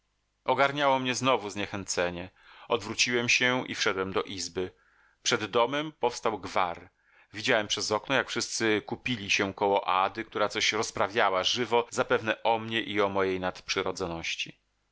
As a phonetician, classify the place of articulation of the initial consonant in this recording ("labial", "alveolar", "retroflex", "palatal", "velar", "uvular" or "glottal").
velar